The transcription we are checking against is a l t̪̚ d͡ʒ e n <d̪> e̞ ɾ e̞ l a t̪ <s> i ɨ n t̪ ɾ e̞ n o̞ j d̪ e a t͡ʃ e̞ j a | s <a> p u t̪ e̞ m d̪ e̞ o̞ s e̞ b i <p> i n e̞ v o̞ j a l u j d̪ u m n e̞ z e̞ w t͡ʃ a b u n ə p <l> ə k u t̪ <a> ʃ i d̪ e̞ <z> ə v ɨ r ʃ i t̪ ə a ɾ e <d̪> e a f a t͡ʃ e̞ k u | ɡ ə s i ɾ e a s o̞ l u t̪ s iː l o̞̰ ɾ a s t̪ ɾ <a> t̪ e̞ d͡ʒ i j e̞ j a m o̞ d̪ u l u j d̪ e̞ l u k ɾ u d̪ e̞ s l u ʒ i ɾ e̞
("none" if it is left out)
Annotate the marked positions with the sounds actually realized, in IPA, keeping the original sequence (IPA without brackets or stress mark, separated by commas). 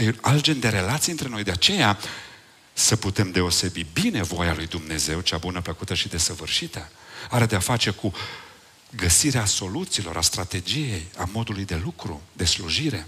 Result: d̪, s, ə, b, l, ə, s, d̪, a